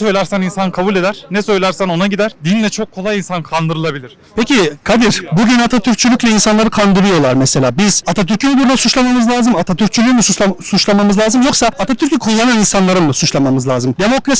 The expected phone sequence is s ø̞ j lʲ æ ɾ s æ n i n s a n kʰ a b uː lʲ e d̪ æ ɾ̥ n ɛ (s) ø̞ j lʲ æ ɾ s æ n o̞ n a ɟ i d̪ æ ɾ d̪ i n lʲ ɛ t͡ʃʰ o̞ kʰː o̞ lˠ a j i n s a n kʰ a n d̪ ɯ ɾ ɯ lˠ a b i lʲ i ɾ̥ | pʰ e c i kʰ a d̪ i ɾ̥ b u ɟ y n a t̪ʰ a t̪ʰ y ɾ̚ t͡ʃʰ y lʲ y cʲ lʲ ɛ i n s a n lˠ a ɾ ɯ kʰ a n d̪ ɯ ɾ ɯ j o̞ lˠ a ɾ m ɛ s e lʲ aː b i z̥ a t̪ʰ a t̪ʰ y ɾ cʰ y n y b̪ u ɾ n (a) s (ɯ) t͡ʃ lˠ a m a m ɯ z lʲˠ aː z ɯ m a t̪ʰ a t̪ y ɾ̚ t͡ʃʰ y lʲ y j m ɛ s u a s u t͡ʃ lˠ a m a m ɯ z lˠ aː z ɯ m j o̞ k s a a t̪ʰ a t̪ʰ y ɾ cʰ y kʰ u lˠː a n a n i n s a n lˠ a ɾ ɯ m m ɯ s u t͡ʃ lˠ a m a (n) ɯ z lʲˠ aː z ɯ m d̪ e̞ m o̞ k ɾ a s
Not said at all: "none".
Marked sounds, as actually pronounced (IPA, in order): s, a, u, m

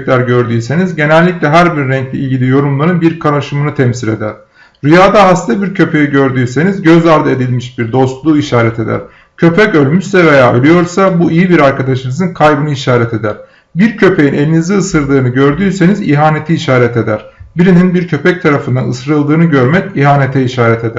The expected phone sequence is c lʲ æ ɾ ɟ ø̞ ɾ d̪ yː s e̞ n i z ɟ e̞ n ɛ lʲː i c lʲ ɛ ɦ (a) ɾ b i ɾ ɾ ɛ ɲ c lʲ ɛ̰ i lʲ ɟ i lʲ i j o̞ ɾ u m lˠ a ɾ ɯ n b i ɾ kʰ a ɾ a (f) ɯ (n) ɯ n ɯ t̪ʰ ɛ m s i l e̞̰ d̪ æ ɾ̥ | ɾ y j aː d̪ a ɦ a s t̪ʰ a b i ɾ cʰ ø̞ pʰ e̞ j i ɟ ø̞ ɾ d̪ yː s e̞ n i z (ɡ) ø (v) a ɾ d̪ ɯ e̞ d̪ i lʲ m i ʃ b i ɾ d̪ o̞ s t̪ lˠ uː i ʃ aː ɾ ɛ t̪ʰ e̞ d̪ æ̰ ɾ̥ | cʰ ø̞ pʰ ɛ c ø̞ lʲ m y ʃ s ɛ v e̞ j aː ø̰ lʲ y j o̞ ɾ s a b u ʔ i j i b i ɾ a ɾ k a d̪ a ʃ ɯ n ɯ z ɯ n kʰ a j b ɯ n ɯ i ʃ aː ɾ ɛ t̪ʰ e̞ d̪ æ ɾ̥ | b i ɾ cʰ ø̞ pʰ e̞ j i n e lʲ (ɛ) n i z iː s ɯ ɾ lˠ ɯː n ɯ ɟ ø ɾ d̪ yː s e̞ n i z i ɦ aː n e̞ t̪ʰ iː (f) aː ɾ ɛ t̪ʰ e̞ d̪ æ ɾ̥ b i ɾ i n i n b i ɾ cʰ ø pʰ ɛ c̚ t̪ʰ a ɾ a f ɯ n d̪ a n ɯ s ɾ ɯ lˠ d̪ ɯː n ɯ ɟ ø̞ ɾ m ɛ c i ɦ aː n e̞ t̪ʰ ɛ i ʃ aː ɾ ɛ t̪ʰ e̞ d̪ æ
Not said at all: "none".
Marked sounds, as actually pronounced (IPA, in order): æ, ʃ, m, ɟ, z, i, ʃ

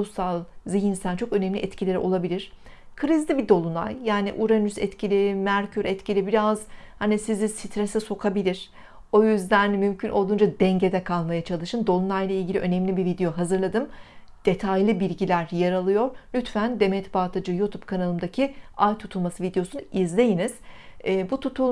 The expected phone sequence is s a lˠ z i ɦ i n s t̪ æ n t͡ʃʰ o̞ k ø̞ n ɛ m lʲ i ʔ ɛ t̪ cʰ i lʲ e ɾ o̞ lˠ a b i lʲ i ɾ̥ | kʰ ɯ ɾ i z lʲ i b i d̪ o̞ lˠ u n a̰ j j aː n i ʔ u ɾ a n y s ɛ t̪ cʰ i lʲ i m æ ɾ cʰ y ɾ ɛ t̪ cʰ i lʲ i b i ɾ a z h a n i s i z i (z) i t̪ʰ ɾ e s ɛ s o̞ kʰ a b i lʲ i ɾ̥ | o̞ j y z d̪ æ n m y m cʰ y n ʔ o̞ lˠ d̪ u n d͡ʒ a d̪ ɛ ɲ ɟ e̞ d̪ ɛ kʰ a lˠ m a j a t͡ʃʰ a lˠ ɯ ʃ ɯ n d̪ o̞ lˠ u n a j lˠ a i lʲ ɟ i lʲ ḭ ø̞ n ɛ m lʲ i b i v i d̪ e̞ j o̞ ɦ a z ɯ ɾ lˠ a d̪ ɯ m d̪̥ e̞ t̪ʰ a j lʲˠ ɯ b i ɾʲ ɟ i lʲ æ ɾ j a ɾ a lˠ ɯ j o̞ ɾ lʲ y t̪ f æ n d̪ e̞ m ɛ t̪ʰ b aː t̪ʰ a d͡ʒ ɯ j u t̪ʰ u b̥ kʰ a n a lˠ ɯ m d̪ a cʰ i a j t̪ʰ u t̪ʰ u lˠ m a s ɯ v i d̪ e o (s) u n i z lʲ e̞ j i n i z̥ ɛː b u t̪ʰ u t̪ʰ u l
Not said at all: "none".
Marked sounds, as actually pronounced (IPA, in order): s, s

